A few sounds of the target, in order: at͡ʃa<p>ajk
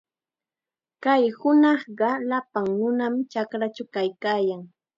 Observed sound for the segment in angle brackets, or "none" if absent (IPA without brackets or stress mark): k